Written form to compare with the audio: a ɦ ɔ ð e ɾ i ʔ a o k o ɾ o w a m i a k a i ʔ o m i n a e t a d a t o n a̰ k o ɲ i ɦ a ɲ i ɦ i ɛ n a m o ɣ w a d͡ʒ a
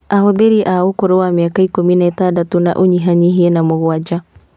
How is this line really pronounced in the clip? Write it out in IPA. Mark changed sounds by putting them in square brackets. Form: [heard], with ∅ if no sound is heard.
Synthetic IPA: a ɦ [o] ð e ɾ i ʔ a o k o ɾ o w a m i a k a i [k] o m i n a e t a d a t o n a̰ [ʔ] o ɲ i ɦ a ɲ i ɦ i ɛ n a m o ɣ w a d͡ʒ a

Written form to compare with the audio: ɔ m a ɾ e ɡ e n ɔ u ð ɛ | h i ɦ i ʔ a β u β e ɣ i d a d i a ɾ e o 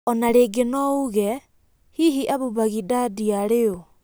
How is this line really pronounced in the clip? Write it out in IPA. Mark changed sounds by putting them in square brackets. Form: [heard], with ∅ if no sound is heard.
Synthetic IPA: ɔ [n] a ɾ e ɡ e n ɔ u [ɣ] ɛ | h i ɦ i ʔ a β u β [a] ɣ i d a d i a ɾ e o

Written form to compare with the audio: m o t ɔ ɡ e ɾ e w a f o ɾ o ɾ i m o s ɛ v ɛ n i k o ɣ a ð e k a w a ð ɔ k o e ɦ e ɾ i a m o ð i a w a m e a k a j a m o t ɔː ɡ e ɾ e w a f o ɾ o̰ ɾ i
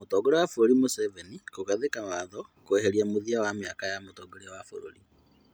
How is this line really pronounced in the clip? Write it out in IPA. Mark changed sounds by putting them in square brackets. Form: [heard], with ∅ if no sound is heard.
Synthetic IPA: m o t ɔ ɡ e ɾ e w a f o ɾ o ɾ i m o s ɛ v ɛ n i k o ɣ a ð e k a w a ð ɔ k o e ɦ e ɾ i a m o ð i a w a m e a k a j a m o t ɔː ɡ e ɾ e w a f o ɾ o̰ ɾ i

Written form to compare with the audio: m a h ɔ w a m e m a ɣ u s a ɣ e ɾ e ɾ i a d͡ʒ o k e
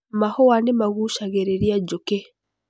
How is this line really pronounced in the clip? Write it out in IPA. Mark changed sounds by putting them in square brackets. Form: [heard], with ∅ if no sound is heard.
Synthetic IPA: m a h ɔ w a [n] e m a ɣ u [ʃ] a ɣ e ɾ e ɾ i a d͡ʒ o k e

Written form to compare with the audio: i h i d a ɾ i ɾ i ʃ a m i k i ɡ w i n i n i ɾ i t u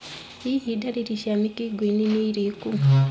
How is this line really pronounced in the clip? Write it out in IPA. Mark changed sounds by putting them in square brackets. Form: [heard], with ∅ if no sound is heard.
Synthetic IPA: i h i d a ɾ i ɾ i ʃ a m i k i ɡ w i n i n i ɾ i [k] u

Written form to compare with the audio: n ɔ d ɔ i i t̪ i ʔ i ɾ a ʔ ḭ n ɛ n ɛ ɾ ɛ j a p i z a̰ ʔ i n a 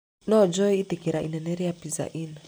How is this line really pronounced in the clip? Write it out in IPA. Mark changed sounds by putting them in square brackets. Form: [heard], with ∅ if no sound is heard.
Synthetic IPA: n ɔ [d͡ʒ] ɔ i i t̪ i [k] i ɾ a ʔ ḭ n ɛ n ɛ ɾ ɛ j a p i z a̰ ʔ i n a

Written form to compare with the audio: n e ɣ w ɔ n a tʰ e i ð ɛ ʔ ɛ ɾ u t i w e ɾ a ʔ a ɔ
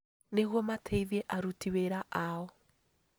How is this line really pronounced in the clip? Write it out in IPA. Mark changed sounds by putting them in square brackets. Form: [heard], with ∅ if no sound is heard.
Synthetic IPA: n e ɣ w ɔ [m] a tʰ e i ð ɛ ʔ [a] ɾ u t i w e ɾ a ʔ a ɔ

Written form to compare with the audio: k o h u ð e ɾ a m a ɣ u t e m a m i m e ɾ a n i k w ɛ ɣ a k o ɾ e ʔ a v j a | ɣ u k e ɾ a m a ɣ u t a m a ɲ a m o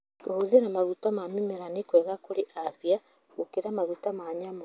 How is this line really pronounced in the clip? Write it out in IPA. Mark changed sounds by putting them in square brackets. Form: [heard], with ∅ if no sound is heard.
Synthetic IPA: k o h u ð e ɾ a m a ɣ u t [a] m a m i m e ɾ a n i k w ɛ ɣ a k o ɾ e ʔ a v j a | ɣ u k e ɾ a m a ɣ u t a m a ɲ a m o

